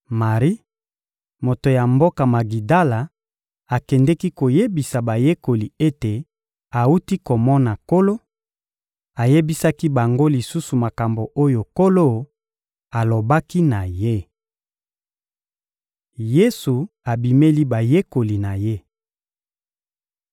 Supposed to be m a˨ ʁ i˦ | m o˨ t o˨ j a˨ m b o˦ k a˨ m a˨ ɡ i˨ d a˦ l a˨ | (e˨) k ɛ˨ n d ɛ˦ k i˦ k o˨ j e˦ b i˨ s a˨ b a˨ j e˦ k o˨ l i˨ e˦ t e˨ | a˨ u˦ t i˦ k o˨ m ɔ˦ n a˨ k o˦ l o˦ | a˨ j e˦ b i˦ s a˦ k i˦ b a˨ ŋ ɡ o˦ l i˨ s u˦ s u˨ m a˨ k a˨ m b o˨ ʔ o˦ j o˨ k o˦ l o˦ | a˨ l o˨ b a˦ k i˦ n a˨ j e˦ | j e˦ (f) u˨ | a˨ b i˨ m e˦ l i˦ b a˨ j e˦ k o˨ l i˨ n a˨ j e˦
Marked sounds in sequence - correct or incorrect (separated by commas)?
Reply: incorrect, incorrect